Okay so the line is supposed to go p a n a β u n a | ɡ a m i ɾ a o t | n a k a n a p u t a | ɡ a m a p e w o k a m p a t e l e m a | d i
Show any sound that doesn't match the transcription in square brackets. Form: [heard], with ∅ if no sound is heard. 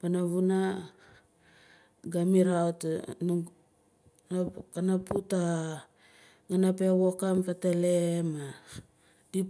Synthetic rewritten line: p a n a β u n a | ɡ a m i ɾ a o t | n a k a n a p u t a | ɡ a [n] a p e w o k a m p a t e l e m a | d i